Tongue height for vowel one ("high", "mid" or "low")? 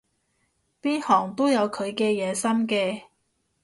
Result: high